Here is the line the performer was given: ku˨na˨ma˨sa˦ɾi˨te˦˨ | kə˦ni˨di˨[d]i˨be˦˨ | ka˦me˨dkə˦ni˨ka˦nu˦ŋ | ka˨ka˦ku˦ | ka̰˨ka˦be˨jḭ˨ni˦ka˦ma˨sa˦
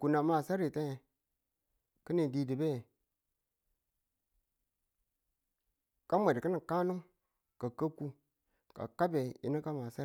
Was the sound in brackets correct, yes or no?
yes